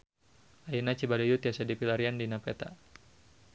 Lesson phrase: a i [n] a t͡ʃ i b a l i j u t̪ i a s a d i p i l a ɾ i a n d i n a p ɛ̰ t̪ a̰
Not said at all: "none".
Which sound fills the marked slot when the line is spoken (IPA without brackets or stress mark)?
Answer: n